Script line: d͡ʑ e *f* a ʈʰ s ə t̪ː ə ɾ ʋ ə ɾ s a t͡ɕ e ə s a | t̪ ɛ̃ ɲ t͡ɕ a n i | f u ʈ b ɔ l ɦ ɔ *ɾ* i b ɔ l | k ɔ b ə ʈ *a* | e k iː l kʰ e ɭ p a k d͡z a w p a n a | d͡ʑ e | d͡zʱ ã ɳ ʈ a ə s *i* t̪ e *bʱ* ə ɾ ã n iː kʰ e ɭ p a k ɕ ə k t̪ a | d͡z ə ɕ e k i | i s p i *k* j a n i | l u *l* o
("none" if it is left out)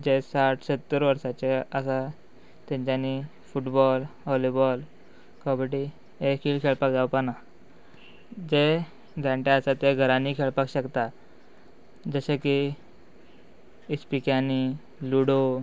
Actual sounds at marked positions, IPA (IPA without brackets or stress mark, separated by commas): s, l, i, a, ɡʱ, k, ɽ